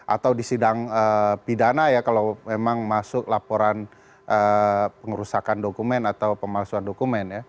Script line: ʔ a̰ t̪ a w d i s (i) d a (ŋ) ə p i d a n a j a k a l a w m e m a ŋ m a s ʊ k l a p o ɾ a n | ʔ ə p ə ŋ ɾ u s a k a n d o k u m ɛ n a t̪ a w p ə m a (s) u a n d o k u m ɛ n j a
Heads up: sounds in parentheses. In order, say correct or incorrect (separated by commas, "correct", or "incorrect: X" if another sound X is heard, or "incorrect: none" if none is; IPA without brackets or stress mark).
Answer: correct, correct, correct